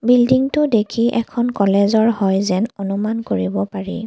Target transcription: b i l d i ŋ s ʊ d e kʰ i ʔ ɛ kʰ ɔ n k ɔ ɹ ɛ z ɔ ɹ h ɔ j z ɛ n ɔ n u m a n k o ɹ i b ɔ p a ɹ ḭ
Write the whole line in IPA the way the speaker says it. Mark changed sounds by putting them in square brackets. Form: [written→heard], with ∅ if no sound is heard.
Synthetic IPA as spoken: b i l d i ŋ [s→t] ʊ d e kʰ i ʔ ɛ kʰ ɔ n k ɔ [ɹ→l] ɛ z ɔ ɹ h ɔ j z ɛ n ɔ n u m a n k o ɹ i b ɔ p a ɹ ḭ